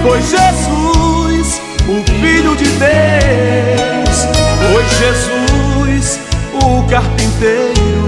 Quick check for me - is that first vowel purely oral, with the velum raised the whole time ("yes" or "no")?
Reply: yes